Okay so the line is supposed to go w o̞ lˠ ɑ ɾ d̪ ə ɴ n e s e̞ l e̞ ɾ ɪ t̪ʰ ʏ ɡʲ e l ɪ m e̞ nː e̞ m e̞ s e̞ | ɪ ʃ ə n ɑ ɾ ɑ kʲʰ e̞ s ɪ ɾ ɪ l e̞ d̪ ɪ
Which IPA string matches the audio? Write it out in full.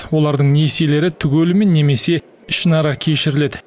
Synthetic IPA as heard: w o̞ lˠ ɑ ɾ d̪ ə ɴ n e s e̞ l e̞ ɾ ɪ t̪ʰ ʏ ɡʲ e l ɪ m e̞ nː e̞ m e̞ s e̞ | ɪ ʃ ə n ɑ ɾ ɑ kʲʰ e̞ ʃ ɪ ɾ ɪ l e̞ d̪ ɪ